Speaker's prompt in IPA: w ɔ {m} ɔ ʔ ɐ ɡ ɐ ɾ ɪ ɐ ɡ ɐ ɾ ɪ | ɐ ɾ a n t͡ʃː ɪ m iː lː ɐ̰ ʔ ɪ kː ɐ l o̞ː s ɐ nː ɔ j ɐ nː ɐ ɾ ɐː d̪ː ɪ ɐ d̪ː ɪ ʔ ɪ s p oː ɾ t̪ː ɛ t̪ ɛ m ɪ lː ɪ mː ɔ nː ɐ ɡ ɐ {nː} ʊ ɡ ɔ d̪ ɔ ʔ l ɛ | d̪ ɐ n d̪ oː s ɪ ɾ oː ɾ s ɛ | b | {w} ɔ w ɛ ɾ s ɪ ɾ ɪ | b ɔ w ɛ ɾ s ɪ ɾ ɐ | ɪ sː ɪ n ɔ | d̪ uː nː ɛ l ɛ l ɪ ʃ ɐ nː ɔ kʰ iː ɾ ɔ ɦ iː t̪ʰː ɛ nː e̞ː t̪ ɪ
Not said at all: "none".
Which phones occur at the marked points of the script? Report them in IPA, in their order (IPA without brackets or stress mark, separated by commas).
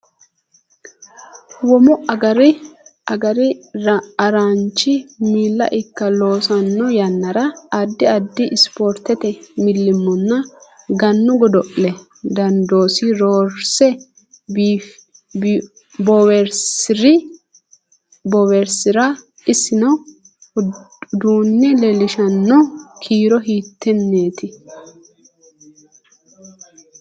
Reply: m, nː, b